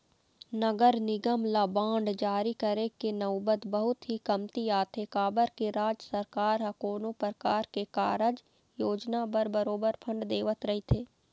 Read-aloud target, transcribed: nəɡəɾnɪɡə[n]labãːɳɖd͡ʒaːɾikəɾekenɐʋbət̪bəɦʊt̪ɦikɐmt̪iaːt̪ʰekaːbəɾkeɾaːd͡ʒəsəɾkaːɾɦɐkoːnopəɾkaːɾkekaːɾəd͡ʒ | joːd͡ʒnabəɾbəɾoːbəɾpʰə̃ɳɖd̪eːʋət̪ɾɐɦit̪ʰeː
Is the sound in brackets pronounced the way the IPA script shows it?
no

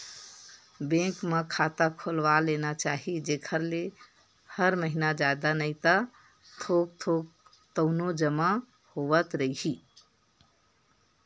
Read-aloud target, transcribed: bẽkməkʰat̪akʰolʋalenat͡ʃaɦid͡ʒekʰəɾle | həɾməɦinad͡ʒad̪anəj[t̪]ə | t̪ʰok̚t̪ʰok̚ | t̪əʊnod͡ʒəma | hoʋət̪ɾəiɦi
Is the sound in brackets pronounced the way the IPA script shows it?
yes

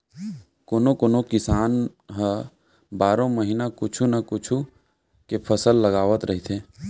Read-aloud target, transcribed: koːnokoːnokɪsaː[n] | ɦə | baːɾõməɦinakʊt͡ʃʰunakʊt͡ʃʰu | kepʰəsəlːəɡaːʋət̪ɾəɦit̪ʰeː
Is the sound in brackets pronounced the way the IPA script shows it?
yes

